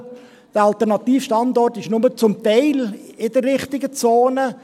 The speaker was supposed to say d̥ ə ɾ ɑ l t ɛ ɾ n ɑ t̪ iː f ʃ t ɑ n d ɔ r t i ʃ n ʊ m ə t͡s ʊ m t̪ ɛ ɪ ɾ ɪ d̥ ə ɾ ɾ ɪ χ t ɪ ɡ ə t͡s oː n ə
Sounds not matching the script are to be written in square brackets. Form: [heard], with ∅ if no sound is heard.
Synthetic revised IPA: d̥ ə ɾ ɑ l t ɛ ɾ n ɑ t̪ iː f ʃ t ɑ n d ɔ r t [ɪ] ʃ n ʊ m ə t͡s ʊ m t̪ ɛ ɪ [l] ɪ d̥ ə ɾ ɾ ɪ χ t ɪ ɡ ə t͡s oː n ə